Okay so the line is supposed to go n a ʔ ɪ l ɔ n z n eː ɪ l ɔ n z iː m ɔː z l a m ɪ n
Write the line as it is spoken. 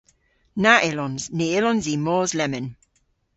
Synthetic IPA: n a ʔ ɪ l ɔ n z n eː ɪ l ɔ n z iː m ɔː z l ɛ m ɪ n